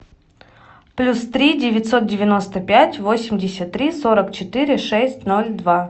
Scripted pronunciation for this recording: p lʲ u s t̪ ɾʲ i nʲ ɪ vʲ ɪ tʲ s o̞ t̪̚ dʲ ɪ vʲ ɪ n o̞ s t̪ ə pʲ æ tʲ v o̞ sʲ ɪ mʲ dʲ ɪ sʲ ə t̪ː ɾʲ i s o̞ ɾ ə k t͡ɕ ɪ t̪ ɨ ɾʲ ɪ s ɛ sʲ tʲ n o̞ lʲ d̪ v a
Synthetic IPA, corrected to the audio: p lʲ u s t̪ ɾʲ i dʲ ɪ vʲ ɪ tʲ s o̞ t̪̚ dʲ ɪ vʲ ɪ n o̞ s t̪ ə pʲ æ tʲ v o̞ sʲ ɪ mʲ dʲ ɪ sʲ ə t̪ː ɾʲ i s o̞ ɾ ə k t͡ɕ ɪ t̪ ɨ ɾʲ ɪ ʂ ɛ sʲ tʲ n o̞ lʲ d̪ v a